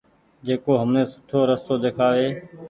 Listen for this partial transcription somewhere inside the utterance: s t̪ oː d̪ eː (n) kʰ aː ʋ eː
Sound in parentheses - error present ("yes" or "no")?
yes